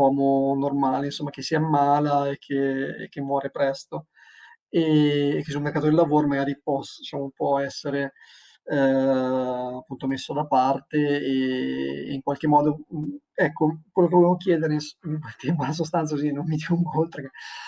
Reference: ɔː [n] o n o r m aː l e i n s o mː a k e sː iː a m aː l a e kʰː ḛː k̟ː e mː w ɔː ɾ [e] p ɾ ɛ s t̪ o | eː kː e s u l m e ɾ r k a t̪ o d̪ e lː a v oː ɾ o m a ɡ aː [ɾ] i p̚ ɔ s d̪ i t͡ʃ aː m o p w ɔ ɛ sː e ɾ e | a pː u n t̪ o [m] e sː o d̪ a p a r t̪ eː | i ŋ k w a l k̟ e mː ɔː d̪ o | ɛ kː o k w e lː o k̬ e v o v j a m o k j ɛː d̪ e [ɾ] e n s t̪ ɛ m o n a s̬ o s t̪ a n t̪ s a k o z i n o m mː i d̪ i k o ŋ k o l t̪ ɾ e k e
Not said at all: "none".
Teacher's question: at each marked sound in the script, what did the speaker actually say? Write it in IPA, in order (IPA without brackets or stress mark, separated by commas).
m, e, ɾ, m, ɾ